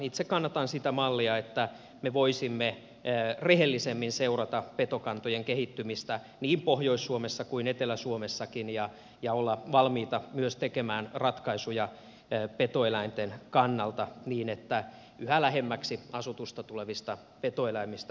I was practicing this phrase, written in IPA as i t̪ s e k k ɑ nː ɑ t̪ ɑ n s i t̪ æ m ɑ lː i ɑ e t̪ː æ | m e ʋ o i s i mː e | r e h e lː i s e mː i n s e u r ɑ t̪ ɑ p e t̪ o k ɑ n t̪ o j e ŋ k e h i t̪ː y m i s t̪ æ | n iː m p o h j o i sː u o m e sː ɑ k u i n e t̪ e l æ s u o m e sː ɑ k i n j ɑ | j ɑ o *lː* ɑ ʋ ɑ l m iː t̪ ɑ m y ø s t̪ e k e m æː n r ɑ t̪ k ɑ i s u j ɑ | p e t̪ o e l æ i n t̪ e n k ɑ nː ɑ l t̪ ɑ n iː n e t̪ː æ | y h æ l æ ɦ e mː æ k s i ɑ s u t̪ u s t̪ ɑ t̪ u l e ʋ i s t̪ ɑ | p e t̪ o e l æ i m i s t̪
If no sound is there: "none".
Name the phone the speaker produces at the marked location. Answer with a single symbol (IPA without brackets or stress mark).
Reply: lː